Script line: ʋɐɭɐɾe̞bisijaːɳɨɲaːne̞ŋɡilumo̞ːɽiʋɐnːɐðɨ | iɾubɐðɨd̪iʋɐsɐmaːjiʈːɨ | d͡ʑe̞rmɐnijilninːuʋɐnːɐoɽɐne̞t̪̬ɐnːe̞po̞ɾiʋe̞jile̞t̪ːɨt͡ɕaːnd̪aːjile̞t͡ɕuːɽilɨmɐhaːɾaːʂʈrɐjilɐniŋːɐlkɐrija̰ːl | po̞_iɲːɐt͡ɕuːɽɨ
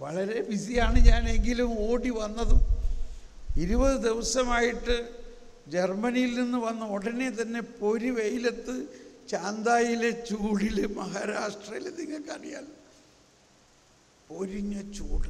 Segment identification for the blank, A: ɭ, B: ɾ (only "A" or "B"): B